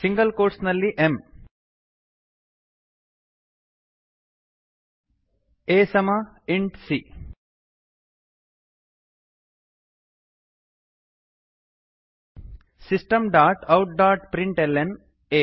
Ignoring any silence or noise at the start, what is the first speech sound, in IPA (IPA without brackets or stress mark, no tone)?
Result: s